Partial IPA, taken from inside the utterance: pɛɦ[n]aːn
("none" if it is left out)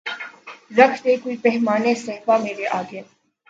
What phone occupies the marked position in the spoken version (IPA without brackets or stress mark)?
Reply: m